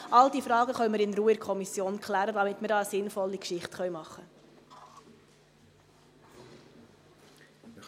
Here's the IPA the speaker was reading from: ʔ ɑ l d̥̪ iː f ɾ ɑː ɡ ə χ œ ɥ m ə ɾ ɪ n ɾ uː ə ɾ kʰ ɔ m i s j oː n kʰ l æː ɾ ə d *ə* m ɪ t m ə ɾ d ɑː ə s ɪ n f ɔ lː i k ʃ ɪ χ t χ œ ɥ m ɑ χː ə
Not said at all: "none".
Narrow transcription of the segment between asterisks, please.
ɑ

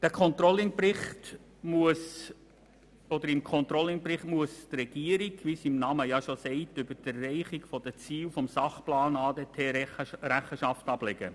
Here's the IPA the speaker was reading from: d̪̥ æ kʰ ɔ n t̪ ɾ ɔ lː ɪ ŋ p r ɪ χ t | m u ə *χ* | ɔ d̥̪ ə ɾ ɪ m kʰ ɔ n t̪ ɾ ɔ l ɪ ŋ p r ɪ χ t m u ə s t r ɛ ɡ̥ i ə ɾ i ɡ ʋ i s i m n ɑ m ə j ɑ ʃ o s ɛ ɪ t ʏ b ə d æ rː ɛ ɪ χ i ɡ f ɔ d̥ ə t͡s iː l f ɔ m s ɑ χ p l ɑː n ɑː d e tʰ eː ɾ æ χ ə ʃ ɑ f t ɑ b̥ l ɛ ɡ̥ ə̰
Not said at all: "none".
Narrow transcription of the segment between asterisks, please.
s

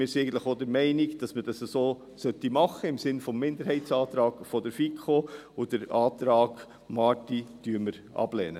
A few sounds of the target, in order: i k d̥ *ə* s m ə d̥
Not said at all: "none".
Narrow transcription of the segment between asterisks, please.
ɑ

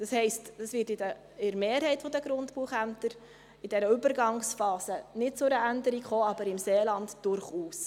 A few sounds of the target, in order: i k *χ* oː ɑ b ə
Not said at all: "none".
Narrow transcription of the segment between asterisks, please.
χ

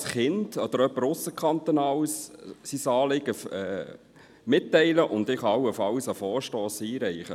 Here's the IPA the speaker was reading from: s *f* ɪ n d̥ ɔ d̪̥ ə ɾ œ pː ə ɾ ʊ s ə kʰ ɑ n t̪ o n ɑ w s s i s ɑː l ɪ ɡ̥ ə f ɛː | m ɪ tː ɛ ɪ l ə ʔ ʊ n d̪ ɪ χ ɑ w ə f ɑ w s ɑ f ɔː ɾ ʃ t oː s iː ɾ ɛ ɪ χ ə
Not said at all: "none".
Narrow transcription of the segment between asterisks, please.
χ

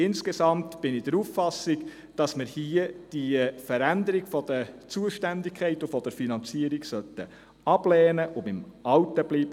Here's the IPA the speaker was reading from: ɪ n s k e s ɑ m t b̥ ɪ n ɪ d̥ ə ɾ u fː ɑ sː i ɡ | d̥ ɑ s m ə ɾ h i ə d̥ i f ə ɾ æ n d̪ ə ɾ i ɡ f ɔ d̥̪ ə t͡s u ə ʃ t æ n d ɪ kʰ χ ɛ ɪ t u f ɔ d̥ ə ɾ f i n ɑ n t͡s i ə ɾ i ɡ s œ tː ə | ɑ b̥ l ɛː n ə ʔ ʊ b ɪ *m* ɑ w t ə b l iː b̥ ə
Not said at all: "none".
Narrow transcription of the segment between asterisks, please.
m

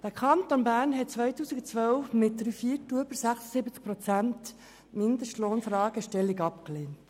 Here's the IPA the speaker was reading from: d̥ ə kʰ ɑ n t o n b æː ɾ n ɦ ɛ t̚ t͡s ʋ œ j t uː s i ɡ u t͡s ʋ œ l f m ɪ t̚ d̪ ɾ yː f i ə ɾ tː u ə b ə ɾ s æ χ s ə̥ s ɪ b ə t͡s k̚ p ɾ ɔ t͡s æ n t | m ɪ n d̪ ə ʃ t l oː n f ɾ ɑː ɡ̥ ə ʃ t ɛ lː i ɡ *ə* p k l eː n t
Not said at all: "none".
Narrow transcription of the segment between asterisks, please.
ɑ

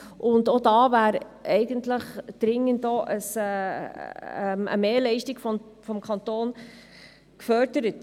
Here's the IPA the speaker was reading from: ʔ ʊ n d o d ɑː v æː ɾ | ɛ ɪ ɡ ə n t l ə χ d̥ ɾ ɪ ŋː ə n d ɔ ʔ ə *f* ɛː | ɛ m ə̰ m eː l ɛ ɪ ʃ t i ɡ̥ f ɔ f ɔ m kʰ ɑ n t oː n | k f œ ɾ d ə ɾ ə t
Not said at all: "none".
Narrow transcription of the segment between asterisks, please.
s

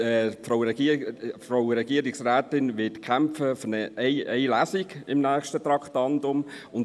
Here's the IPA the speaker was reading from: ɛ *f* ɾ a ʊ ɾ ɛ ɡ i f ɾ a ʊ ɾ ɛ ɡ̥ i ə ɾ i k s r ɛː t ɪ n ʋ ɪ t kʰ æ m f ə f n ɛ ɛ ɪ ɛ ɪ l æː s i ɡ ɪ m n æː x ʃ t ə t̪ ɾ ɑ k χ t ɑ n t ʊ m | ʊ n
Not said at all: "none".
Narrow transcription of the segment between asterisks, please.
f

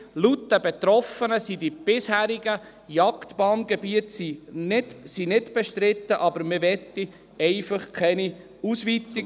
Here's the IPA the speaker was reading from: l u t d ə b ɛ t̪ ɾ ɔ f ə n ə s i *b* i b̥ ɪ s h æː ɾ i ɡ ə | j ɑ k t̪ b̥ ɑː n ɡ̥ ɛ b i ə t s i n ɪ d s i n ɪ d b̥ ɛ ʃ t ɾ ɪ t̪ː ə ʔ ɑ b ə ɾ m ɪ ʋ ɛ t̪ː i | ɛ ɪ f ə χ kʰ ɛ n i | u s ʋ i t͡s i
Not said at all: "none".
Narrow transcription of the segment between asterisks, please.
d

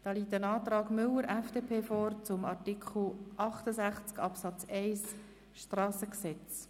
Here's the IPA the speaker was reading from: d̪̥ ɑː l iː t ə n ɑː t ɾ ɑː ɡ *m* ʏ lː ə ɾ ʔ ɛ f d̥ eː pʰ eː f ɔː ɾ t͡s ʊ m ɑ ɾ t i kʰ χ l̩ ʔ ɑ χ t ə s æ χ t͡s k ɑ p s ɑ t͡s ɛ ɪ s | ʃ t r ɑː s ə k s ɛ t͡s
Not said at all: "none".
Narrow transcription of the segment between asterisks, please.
m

